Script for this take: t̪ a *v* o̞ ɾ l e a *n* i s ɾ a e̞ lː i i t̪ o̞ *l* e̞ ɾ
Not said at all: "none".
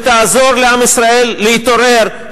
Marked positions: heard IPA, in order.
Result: z, m, ɾ

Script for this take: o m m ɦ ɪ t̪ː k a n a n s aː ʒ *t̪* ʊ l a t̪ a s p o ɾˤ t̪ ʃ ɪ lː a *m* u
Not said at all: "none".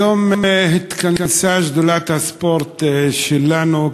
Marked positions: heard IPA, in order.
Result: d̪, n

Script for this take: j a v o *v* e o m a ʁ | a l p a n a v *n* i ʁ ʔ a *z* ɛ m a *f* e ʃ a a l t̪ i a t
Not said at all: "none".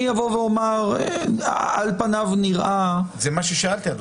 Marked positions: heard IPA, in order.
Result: v, n, z, ʃ

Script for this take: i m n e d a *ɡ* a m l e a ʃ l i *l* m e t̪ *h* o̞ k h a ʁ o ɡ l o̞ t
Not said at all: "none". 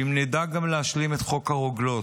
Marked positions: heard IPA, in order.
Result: ɡ, none, χ

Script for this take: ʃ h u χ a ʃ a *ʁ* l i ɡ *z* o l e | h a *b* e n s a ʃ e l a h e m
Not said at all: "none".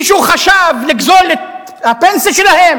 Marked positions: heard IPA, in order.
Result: v, z, p

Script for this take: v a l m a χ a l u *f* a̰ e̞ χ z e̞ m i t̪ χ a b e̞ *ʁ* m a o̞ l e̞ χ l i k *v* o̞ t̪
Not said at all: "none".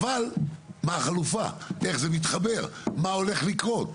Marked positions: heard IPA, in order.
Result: f, ʁ, ʁ

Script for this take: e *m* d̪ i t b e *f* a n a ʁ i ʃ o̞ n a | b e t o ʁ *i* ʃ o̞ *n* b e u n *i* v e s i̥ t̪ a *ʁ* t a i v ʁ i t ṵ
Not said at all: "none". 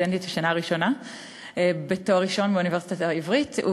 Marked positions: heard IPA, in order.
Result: n, ʃ, i, n, i, none

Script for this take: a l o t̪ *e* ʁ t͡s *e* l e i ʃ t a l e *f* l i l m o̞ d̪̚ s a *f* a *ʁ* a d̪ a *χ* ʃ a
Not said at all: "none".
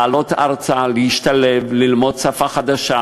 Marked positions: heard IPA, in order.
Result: a, a, v, f, χ, none

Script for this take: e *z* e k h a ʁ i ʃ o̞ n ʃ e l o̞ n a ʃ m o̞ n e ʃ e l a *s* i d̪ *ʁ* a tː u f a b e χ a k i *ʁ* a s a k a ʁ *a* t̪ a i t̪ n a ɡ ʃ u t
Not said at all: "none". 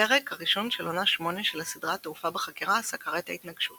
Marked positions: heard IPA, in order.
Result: ʁ, s, ʁ, ʁ, e

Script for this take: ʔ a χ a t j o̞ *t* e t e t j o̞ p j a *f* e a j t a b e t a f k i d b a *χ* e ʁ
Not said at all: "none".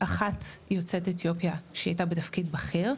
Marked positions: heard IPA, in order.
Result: t͡s, ʃ, χ

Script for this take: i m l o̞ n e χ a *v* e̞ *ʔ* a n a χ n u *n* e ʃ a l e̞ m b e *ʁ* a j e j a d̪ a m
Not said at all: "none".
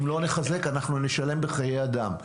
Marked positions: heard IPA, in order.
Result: z, k, n, χ

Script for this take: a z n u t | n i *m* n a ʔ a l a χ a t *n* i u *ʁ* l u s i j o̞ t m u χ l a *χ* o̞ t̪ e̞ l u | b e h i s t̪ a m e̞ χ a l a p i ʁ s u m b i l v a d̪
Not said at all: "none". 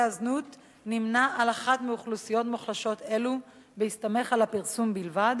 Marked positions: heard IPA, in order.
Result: m, m, χ, ʃ

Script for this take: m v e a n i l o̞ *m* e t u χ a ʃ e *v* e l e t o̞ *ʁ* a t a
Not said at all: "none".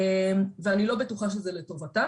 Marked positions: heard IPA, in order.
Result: b, z, v

